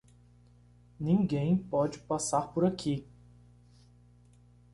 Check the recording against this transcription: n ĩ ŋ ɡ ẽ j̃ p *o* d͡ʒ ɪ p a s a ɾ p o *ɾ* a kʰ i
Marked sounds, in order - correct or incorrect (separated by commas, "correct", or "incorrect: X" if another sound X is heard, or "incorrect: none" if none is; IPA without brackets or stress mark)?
incorrect: ɔ, correct